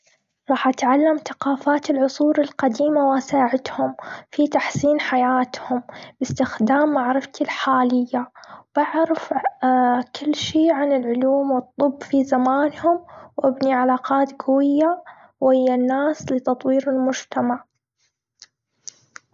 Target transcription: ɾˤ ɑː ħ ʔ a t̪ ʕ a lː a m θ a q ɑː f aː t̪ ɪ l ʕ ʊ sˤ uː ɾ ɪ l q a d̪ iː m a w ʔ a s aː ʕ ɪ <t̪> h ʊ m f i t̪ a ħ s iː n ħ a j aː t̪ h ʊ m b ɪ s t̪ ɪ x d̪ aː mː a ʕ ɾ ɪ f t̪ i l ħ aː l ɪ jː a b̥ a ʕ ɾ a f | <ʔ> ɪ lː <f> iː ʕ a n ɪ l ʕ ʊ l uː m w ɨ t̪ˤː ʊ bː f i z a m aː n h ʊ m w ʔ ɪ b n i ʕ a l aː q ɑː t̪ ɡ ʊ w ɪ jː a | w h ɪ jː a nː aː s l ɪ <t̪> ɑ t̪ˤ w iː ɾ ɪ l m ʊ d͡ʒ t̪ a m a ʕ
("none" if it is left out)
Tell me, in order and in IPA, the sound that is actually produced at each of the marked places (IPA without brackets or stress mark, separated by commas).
t̪, k, ʃ, t̪